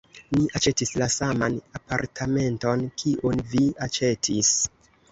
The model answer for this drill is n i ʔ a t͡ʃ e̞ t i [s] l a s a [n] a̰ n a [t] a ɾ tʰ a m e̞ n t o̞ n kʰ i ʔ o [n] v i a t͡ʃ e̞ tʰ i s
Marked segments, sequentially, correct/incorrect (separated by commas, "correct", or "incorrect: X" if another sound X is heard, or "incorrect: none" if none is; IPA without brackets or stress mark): correct, incorrect: m, incorrect: p, correct